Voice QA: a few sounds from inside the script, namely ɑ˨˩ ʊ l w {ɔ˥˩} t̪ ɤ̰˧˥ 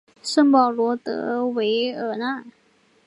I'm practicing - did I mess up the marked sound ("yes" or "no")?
yes